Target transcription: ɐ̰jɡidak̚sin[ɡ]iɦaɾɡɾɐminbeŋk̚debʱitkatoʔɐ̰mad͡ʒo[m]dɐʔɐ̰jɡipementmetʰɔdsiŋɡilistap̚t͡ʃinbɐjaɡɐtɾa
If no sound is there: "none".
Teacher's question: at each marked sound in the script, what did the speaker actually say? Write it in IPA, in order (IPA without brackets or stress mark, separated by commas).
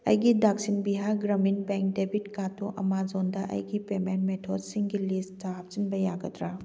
b, n